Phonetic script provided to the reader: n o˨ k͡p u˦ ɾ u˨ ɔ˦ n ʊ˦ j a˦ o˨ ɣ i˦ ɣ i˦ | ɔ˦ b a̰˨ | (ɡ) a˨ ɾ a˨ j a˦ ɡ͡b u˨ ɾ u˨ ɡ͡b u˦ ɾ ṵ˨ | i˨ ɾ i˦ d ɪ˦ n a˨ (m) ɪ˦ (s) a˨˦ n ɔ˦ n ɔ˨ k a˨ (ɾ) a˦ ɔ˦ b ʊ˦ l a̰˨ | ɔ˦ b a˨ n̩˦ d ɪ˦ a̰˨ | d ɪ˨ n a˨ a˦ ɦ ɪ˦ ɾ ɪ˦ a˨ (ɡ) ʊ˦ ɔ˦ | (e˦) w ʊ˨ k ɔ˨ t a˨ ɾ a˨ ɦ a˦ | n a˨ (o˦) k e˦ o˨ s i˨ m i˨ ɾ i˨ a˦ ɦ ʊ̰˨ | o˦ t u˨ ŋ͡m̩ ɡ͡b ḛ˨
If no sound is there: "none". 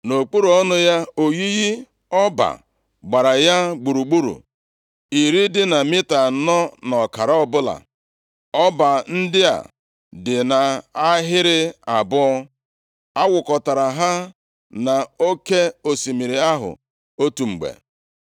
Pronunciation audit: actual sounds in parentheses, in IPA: ɡ͡b, m, t, ɾ, b, a˦, o˦

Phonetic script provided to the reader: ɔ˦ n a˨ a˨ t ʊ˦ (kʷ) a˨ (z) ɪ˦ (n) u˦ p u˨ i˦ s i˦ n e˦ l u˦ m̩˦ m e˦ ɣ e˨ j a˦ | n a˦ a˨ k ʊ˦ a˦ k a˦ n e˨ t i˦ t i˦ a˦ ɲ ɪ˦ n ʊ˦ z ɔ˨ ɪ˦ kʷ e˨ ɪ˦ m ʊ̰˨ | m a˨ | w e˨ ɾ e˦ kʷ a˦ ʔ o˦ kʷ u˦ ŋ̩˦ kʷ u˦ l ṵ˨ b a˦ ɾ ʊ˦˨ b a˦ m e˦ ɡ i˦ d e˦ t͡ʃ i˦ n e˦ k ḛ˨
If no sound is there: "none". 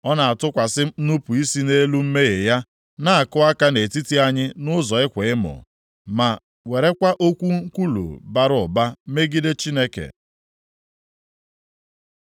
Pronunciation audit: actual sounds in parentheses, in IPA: kʷ, s, n

